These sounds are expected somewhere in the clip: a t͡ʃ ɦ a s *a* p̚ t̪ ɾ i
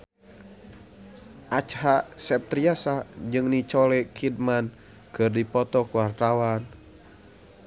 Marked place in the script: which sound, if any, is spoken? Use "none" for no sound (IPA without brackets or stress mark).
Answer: ɛ